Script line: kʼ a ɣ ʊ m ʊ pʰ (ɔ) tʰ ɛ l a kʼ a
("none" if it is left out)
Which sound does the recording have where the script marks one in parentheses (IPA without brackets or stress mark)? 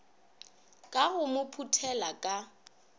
u